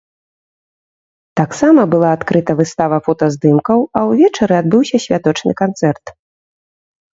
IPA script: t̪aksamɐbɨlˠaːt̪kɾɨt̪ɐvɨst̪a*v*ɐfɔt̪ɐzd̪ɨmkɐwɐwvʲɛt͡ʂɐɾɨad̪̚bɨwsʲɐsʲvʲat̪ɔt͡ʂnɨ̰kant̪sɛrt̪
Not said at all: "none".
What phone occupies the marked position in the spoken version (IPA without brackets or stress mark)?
v